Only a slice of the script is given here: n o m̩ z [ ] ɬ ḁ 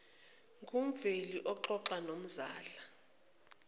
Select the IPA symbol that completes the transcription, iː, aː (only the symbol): aː